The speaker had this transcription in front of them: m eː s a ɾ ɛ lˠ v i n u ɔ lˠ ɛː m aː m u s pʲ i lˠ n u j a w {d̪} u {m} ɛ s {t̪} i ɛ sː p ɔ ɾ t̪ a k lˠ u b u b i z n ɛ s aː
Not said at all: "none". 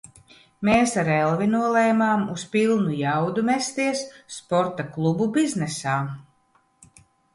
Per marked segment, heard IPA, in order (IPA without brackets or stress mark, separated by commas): d̪, m, t̪